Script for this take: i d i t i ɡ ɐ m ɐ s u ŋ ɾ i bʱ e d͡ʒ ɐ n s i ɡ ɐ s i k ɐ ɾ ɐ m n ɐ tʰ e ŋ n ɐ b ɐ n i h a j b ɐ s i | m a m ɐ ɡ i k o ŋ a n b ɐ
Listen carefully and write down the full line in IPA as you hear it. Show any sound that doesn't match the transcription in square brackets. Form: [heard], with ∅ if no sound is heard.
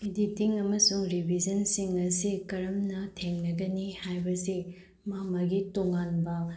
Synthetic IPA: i d i t i [ŋ] ɐ m ɐ s u ŋ ɾ i bʱ [i] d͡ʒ ɐ n s i [ŋ] ɐ s i k ɐ ɾ ɐ m n ɐ tʰ e ŋ n ɐ [ɡ] ɐ n i h a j b ɐ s i | m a m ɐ ɡ i [t] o ŋ a n b ɐ